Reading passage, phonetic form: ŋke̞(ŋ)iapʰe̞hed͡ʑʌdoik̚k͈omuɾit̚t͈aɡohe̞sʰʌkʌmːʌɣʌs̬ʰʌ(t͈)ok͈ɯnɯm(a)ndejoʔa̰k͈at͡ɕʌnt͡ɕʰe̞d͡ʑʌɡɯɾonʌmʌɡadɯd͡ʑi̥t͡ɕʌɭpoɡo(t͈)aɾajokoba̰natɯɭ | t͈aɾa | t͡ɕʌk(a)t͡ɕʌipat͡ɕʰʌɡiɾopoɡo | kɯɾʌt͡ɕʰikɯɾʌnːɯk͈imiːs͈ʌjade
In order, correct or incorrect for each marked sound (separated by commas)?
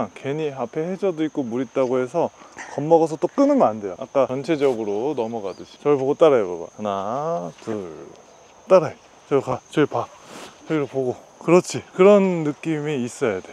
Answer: incorrect, correct, correct, correct, correct